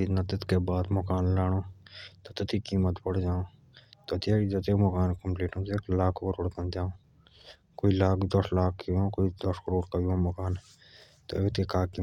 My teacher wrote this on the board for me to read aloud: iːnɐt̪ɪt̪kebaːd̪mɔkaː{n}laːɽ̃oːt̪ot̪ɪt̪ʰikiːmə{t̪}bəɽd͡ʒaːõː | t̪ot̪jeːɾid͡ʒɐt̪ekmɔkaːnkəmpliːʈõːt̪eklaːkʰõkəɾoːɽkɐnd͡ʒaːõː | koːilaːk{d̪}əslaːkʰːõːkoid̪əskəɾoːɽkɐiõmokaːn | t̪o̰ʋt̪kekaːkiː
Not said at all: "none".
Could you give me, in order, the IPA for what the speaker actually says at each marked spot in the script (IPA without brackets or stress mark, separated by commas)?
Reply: n, t̪, d̪